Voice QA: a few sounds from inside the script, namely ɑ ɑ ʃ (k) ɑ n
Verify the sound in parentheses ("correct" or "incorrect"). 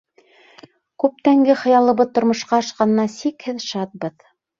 incorrect